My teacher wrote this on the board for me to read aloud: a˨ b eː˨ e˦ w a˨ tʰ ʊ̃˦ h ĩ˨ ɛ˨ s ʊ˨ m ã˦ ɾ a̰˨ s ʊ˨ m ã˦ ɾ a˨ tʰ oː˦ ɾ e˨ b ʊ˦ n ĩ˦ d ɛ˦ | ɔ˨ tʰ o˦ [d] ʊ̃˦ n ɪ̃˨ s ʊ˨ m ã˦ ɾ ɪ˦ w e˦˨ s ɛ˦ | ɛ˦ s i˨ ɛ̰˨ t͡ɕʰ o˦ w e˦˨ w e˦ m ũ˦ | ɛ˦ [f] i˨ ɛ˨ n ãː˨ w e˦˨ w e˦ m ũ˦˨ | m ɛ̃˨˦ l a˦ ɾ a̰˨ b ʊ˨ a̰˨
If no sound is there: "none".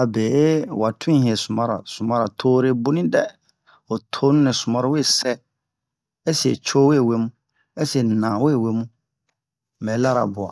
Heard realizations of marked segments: n, s

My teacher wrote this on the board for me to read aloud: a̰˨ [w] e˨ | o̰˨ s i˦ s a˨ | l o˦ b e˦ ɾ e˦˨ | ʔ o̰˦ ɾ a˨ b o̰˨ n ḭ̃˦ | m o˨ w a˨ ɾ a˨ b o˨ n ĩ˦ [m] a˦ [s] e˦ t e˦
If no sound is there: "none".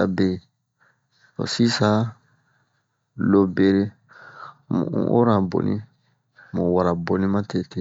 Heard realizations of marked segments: b, m, t

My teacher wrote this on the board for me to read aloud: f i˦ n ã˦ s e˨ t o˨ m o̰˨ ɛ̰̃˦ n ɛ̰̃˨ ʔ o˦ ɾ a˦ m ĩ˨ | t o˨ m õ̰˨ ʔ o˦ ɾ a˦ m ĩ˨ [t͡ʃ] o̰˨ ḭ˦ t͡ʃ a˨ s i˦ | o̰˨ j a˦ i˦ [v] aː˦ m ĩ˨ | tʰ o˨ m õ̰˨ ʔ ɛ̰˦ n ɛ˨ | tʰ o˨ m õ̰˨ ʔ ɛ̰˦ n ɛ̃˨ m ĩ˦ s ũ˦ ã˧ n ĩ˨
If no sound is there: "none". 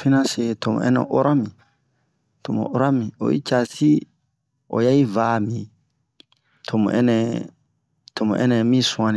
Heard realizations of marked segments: none, v

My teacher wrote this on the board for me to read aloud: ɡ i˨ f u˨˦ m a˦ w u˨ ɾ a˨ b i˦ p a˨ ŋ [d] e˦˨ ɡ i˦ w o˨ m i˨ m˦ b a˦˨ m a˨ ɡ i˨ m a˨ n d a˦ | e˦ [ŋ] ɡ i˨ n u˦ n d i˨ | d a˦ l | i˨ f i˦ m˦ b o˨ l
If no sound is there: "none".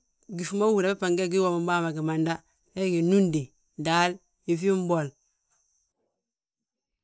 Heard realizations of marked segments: ɡ, none

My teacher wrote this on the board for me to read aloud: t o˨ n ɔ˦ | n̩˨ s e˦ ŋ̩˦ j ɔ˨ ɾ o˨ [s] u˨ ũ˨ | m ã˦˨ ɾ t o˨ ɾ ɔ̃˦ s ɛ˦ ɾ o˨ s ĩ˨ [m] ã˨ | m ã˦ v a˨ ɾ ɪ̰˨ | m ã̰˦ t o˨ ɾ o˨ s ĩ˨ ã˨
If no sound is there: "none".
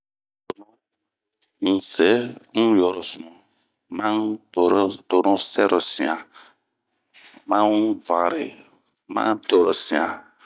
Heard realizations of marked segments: s, none

